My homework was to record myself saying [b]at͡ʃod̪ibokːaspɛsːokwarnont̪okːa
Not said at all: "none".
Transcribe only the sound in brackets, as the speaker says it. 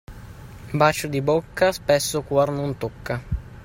b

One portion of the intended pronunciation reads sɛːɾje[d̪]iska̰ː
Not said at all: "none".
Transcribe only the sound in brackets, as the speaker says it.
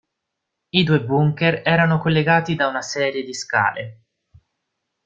d̪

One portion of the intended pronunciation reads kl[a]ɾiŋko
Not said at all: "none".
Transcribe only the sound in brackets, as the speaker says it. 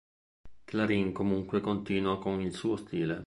a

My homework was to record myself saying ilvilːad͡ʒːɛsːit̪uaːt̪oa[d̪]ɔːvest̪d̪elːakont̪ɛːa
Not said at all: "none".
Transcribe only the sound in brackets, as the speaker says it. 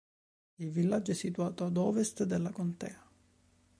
d̪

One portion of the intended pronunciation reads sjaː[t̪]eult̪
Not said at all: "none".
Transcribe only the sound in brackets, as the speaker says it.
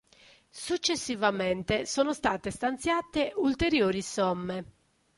t̪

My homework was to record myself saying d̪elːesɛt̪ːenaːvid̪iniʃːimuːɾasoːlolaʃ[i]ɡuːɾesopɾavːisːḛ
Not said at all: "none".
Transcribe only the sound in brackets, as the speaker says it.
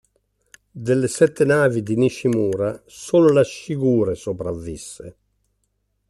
i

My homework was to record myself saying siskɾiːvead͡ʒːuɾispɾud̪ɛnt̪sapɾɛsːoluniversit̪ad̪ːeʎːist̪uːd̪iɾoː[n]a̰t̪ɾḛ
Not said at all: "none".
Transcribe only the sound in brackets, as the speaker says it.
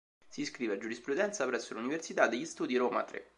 m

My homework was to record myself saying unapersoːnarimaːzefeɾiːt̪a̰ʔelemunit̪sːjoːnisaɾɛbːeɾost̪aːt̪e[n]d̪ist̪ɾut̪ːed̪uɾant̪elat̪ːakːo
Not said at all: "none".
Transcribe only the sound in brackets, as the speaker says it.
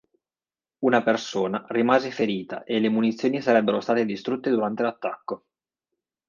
none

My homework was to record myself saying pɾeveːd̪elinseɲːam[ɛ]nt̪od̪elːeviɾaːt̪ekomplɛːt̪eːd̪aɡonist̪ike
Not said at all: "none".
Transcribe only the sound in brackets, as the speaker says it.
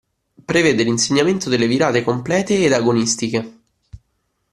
e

